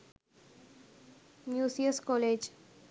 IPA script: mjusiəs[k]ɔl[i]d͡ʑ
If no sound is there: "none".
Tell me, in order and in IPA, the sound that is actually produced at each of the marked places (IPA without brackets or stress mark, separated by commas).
k, e